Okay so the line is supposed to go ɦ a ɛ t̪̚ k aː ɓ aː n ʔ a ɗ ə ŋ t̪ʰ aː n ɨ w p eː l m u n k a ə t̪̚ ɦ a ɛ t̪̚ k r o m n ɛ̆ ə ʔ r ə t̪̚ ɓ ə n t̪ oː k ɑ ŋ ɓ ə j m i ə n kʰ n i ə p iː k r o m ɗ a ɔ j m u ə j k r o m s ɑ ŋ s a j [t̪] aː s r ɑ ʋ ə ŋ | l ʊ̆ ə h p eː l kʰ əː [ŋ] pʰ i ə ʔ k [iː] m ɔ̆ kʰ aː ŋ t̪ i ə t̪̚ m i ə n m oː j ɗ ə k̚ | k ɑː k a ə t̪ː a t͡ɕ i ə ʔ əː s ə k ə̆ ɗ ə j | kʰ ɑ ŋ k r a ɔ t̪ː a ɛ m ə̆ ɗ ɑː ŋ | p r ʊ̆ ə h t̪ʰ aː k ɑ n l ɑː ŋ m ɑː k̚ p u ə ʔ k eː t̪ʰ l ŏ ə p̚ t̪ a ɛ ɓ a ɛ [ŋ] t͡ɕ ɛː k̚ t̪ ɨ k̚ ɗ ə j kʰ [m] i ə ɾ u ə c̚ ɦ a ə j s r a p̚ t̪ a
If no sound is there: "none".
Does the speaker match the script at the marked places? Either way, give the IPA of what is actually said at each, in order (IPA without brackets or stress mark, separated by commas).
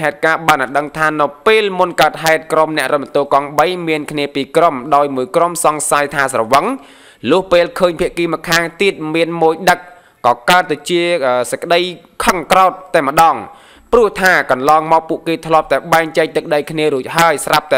t̪ʰ, ɲ, iː, ŋ, n